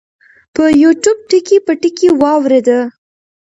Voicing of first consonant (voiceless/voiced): voiceless